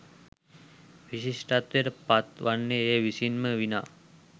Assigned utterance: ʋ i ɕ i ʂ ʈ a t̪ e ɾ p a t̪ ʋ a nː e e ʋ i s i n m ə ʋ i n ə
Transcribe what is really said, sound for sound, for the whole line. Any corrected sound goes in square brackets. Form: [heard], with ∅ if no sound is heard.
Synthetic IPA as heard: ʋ i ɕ i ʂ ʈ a t̪ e ɾ p a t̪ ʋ a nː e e ʋ i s i n m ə ʋ i n [a]